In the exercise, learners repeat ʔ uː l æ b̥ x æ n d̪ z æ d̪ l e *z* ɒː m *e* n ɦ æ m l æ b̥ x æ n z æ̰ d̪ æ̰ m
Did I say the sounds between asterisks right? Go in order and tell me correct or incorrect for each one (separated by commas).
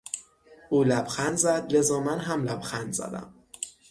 correct, incorrect